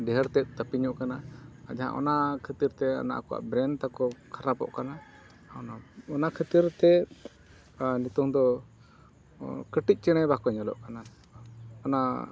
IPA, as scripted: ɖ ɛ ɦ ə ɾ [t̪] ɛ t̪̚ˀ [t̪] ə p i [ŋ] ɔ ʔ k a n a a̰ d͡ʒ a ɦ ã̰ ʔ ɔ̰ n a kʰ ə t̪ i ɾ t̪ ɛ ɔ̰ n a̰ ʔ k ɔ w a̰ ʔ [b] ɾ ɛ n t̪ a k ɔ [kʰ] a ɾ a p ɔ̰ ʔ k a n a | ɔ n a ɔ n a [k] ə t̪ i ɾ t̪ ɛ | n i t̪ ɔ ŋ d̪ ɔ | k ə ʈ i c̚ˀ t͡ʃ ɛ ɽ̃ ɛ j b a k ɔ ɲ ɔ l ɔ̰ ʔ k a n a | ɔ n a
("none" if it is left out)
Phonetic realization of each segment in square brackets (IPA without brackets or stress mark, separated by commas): t̪, t̪, ɲ, b, kʰ, kʰ